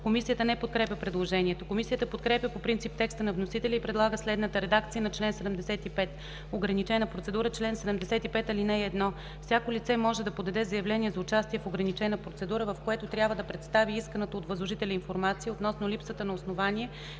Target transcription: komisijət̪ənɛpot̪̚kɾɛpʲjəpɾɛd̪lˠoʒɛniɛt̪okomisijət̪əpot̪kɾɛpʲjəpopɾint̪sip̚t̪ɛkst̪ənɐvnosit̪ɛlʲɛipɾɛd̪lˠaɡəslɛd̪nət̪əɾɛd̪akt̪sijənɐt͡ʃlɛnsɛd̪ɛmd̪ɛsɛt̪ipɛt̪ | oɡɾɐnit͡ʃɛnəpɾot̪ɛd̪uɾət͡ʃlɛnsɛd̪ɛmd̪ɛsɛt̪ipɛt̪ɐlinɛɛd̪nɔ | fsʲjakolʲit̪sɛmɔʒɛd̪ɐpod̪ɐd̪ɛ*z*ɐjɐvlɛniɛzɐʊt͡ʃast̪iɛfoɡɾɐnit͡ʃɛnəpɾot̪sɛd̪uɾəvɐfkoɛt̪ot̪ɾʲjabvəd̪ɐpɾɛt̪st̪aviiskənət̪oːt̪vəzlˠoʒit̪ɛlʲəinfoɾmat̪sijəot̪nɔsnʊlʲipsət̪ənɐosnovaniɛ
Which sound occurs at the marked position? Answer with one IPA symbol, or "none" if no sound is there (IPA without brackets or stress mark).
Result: z